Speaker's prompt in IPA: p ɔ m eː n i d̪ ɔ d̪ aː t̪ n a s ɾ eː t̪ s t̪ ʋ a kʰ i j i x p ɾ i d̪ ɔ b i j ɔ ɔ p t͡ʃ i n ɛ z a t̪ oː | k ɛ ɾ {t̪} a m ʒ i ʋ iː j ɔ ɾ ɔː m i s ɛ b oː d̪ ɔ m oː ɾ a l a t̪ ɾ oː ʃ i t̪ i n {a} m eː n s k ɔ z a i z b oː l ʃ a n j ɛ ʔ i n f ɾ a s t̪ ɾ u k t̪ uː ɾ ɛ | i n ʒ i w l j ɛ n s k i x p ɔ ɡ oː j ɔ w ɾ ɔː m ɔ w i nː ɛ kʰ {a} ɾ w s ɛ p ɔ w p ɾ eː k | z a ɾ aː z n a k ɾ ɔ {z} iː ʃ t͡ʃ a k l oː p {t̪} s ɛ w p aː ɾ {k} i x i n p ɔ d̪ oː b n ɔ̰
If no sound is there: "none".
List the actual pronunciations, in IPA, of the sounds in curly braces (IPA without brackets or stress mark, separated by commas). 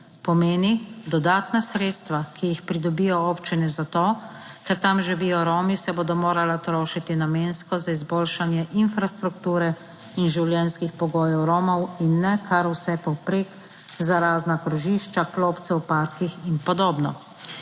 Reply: t̪, a, a, ʒ, t̪, k